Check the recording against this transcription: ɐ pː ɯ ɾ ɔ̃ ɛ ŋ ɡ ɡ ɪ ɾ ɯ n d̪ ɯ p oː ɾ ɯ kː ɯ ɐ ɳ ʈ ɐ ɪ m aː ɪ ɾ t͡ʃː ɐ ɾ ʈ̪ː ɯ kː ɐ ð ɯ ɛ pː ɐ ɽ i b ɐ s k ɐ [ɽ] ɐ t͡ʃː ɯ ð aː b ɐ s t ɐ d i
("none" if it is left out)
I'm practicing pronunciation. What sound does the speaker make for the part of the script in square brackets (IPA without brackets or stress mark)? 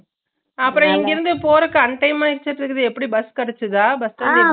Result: ɽ